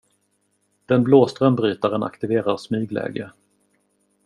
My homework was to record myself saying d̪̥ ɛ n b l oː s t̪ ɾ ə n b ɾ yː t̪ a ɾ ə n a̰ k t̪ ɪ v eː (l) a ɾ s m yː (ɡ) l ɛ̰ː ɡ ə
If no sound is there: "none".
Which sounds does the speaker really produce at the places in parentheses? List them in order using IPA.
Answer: ɾ, ɡ

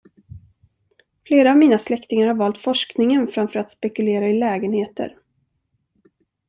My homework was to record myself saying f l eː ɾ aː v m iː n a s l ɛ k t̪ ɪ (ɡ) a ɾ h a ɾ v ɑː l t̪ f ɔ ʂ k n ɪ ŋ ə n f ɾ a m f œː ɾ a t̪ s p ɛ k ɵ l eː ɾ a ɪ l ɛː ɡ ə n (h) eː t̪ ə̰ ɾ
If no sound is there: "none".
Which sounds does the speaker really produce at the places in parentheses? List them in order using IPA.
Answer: ŋ, h

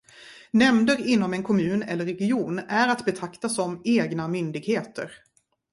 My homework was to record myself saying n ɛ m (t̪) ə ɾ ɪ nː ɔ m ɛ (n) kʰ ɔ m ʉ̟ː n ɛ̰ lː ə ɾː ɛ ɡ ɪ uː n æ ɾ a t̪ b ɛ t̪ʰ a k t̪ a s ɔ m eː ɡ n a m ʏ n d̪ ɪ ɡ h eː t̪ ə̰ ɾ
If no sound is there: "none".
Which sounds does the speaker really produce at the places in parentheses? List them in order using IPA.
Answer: d̪, n

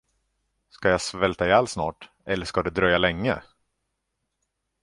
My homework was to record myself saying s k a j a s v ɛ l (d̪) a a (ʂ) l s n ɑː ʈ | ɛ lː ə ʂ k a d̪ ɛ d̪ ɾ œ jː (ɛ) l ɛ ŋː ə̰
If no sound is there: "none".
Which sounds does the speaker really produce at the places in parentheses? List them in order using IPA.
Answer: t̪, none, a

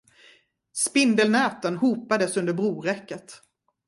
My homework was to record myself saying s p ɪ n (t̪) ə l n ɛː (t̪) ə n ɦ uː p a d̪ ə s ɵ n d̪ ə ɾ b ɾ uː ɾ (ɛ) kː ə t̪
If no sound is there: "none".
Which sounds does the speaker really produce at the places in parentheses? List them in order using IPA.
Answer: d̪, t̪, ɛ

